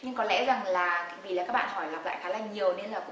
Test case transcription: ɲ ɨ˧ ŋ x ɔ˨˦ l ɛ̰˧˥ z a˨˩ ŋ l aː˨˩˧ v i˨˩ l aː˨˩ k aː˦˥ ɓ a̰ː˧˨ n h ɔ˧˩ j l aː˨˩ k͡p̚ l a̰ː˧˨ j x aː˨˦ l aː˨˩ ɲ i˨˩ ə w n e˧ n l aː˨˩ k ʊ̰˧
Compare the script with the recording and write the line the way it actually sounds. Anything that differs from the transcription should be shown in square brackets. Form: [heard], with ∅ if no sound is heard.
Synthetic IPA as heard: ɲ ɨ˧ ŋ [k] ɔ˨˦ l ɛ̰˧˥ z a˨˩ ŋ l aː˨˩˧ v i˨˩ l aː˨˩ k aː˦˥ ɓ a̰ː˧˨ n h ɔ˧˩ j l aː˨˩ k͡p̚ l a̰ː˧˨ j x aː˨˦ l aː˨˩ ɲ i˨˩ ə w n e˧ n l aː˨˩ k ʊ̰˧